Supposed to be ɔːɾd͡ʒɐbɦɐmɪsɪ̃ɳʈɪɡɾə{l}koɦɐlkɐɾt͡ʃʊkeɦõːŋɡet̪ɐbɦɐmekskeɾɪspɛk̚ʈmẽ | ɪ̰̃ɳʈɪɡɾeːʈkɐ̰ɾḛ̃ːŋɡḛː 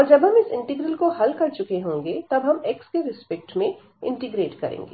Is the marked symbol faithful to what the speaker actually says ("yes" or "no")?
yes